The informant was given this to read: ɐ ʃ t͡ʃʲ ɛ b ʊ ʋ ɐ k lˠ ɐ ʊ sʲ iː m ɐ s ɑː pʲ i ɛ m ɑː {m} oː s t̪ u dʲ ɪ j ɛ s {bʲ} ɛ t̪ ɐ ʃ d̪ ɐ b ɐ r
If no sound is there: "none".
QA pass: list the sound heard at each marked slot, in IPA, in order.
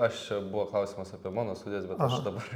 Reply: n, bʲ

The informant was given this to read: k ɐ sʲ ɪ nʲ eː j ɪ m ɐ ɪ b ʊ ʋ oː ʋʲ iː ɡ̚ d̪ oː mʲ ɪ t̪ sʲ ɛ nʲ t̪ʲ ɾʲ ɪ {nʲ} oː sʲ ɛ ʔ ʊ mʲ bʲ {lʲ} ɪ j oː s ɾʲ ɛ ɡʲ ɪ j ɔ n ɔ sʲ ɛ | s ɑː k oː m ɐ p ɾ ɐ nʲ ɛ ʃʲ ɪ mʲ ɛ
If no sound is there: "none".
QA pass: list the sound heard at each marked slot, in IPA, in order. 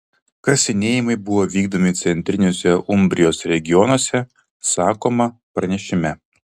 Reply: nʲ, ɾʲ

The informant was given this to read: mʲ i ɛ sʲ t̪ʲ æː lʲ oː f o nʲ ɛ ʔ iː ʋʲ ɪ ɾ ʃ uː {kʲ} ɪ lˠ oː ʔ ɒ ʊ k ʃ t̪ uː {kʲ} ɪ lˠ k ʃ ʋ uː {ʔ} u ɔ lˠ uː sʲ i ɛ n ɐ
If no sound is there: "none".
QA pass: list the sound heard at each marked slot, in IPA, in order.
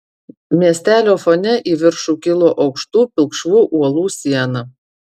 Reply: kʲ, pʲ, ʔ

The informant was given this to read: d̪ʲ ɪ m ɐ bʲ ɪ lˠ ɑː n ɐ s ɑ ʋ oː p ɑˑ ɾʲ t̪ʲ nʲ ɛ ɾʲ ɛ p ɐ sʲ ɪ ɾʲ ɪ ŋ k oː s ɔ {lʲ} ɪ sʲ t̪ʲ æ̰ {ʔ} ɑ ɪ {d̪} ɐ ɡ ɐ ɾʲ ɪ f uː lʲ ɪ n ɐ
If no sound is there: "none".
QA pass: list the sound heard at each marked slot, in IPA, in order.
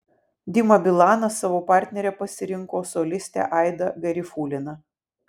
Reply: lʲ, ʔ, d̪

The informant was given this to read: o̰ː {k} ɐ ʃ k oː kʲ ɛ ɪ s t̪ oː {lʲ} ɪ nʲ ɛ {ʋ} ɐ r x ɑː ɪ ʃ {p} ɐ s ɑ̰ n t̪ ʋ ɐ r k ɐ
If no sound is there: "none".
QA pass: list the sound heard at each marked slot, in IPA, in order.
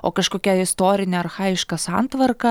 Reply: k, ɾʲ, none, k

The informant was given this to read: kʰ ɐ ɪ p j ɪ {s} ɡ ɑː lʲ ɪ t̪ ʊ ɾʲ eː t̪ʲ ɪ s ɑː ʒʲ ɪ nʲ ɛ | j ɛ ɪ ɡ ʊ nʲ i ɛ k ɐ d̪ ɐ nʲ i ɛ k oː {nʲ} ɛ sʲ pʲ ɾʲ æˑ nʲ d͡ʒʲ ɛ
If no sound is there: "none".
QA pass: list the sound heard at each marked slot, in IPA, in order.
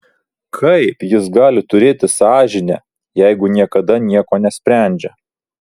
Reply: s, nʲ

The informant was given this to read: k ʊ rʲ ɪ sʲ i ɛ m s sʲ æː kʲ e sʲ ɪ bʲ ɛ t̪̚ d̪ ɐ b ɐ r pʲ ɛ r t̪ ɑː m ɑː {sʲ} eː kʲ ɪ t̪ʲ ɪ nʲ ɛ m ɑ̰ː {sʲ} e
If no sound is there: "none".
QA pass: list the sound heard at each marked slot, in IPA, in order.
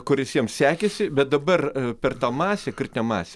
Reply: sʲ, sʲ

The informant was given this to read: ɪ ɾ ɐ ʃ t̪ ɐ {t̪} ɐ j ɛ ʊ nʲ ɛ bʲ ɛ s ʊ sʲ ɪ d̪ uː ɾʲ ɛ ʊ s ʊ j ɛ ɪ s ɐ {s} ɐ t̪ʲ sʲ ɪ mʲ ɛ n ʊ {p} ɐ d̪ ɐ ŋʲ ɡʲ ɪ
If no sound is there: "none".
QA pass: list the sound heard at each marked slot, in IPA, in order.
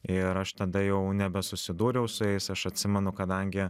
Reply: d̪, ʃ, k

